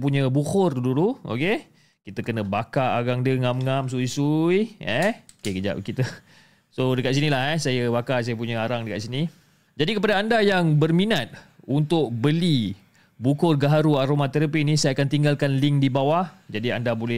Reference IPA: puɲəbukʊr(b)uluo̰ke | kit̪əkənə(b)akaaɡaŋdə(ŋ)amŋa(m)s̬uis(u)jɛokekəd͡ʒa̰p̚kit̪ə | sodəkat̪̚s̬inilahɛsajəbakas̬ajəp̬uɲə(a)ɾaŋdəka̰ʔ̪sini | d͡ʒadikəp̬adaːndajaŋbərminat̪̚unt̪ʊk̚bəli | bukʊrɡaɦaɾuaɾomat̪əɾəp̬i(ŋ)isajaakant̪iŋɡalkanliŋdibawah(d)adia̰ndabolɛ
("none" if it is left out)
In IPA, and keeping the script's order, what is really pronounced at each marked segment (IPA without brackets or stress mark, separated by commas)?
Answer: d, b, ŋ, m, u, a, n, d͡ʒ